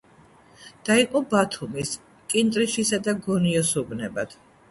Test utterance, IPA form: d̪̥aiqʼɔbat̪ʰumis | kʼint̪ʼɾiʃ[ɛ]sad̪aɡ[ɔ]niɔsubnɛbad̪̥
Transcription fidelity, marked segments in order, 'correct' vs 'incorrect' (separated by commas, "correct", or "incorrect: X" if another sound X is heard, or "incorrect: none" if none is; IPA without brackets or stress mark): incorrect: i, correct